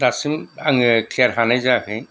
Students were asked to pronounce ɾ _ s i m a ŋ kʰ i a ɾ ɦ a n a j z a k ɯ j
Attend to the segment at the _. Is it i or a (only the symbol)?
a